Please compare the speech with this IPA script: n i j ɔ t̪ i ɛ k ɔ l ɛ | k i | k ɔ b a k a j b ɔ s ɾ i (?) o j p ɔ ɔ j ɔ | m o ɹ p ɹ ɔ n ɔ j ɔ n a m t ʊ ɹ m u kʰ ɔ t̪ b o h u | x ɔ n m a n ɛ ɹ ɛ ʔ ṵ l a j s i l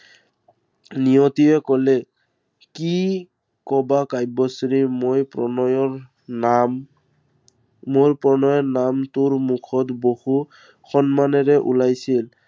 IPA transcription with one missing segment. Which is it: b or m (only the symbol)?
m